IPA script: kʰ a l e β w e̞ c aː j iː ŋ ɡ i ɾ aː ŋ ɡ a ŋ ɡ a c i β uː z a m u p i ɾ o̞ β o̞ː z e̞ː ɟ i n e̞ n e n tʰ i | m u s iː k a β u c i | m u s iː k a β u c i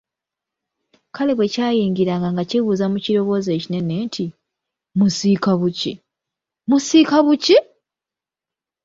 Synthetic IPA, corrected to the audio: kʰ a l e β w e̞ c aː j iː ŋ ɡ i ɾ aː ŋ ɡ a ŋ ɡ a c i β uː z a m u c i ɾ o̞ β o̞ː z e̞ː c i n e̞ n e n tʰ i | m u s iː k a β u c i | m u s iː k a β u c i